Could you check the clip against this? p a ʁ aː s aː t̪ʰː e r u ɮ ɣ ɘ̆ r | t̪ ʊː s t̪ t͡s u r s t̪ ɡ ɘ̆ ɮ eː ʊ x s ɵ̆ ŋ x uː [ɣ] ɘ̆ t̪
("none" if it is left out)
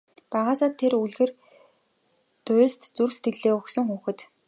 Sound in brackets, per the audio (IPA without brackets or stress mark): x